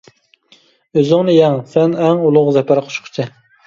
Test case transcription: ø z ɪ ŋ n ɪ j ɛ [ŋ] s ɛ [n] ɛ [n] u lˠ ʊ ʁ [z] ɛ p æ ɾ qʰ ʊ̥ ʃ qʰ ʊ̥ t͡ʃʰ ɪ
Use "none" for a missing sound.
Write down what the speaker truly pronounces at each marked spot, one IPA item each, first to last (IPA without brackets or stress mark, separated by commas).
ŋ, n, ŋ, z